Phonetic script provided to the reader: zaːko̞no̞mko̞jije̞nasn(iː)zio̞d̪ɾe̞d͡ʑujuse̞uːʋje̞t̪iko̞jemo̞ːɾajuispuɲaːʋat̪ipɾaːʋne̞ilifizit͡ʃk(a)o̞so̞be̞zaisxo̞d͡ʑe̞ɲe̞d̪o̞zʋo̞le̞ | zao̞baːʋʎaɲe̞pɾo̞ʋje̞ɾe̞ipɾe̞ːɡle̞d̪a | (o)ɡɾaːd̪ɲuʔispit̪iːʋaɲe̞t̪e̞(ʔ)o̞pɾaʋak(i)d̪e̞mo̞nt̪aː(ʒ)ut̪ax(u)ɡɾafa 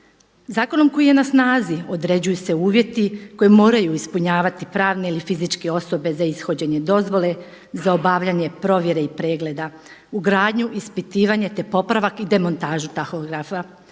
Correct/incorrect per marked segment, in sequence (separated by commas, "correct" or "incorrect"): incorrect, incorrect, incorrect, incorrect, correct, correct, incorrect